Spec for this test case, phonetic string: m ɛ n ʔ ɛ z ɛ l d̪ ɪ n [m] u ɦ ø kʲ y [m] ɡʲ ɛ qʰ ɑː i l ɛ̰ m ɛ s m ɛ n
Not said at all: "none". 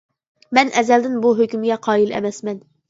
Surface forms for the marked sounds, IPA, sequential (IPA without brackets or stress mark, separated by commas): b, m